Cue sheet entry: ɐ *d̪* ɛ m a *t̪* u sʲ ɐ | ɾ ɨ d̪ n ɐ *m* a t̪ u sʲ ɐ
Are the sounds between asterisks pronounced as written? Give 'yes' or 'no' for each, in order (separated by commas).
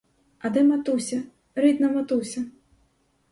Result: yes, yes, yes